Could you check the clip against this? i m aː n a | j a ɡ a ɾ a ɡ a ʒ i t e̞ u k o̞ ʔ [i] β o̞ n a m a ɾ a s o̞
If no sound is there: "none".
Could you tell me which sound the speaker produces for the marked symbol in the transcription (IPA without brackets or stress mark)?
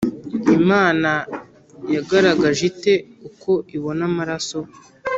i